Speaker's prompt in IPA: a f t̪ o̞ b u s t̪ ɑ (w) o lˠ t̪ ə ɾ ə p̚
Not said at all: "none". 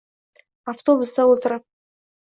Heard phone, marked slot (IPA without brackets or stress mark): w